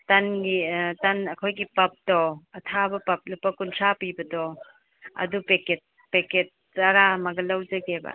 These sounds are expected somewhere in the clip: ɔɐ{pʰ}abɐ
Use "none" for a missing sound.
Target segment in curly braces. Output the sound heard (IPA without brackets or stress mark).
tʰ